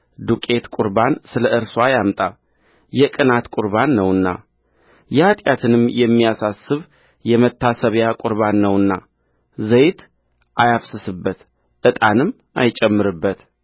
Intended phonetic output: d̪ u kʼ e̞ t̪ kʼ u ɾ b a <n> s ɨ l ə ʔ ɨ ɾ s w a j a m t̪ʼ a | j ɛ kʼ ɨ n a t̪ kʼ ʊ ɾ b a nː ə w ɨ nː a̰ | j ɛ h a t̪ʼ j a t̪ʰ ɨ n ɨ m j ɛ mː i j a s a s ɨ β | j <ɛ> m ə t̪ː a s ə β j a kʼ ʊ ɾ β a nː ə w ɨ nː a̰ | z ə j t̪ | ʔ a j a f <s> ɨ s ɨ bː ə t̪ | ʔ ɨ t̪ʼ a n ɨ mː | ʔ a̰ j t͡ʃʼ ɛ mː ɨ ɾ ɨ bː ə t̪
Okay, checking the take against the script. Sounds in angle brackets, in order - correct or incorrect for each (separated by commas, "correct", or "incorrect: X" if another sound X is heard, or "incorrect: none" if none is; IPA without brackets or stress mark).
correct, correct, correct